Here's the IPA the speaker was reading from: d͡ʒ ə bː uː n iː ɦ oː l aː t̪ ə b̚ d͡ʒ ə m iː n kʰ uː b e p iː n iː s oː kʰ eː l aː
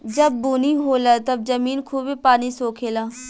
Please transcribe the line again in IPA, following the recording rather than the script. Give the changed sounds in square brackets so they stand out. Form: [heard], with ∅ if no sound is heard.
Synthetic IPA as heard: d͡ʒ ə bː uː n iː ɦ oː l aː t̪ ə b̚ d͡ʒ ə m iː n kʰ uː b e p [aː] n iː s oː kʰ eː l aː